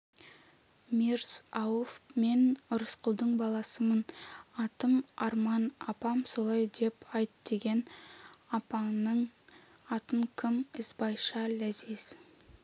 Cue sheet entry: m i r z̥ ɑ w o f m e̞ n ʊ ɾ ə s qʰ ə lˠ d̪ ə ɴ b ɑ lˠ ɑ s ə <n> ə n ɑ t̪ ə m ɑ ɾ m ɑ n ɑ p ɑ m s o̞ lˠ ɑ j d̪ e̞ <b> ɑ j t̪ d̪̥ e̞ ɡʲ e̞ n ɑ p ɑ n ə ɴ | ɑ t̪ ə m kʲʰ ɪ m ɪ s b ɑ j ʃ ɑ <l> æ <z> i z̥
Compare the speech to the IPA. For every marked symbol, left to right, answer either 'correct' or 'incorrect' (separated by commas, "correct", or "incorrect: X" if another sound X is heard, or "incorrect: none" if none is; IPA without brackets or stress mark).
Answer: incorrect: m, incorrect: p, correct, correct